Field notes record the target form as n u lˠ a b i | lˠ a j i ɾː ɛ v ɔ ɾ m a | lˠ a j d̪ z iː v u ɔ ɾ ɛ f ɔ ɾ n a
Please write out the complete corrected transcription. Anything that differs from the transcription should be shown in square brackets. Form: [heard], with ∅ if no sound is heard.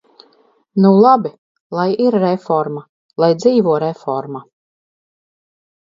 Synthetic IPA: n u lˠ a b i | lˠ a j i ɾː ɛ [f] ɔ ɾ m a | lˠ a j d̪ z iː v u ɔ ɾ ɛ f ɔ ɾ [m] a